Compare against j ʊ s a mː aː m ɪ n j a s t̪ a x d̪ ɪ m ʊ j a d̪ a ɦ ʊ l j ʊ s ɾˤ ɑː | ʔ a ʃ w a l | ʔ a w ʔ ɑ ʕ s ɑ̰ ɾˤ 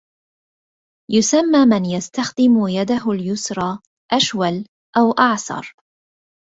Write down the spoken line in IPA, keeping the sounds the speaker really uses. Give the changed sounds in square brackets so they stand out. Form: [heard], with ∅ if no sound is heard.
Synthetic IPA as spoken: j ʊ s a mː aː m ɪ n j a s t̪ a x d̪ ɪ m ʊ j a d̪ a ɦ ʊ l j ʊ s ɾˤ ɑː | ʔ a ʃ w a l | ʔ a w ʔ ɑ ʕ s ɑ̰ ɾˤ